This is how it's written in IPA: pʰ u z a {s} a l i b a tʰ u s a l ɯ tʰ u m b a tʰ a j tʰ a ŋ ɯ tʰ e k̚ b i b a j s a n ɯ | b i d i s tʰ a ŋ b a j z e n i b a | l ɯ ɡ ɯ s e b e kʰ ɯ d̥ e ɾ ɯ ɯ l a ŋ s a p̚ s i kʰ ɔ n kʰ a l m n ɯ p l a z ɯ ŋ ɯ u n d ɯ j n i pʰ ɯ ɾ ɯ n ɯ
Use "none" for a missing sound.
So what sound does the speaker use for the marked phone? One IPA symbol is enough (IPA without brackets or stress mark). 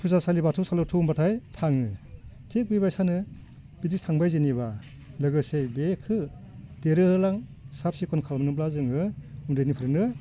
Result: s